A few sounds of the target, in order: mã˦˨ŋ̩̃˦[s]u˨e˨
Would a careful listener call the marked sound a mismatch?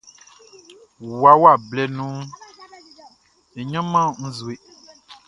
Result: yes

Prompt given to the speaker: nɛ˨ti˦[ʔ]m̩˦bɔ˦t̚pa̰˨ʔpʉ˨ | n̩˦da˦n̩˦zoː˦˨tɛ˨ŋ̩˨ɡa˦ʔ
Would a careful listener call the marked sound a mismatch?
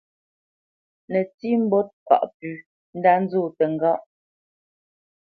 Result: yes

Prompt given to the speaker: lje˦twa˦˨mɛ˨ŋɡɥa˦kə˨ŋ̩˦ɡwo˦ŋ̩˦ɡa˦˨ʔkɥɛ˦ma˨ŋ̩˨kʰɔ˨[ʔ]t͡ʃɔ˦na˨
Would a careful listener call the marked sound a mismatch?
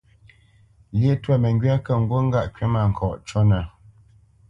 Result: no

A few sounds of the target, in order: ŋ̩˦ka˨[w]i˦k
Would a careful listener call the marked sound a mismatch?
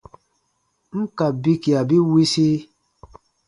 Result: yes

